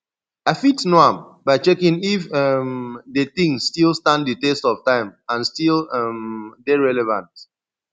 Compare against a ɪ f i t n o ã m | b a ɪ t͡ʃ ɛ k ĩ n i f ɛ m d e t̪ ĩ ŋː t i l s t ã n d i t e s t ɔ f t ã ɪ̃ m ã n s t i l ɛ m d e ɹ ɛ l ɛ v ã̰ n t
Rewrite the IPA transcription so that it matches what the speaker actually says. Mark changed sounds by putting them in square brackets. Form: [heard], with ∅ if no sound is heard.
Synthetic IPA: a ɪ f i t n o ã m | b a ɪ t͡ʃ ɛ k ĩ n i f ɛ m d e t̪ ĩ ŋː t i l s t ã n d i t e s t ɔ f t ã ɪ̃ m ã n s t i l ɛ m d e ɹ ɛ l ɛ v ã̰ n t